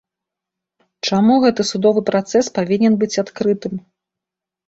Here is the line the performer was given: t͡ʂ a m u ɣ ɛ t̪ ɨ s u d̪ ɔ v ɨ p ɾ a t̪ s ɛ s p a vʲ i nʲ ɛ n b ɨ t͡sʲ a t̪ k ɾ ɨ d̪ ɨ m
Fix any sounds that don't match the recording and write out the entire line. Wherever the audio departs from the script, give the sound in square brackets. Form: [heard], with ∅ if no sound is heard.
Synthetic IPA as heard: t͡ʂ a m u ɣ ɛ t̪ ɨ s u d̪ ɔ v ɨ p ɾ a t̪ s ɛ s p a vʲ i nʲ ɛ n b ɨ t͡sʲ a t̪ k ɾ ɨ [t̪] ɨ m